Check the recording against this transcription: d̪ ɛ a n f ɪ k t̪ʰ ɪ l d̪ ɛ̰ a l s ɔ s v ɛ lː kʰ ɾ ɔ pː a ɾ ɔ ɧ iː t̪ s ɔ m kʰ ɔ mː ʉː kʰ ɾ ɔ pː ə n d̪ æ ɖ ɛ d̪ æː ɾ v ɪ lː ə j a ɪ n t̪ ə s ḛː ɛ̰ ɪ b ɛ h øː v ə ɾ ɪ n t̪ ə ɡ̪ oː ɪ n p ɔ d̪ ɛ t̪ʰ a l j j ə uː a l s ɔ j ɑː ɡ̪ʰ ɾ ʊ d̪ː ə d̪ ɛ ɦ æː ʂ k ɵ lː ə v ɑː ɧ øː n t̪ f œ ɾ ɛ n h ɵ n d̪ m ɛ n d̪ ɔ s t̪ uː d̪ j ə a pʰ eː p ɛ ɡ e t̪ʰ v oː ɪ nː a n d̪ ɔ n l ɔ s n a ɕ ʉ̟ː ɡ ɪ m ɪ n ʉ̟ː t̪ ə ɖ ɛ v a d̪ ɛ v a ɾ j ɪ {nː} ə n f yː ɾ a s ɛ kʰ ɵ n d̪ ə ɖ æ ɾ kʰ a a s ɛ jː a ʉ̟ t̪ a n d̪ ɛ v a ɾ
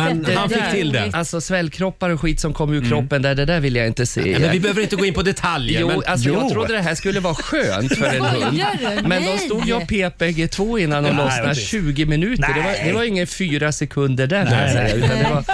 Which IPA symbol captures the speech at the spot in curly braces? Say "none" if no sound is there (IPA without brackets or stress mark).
ŋː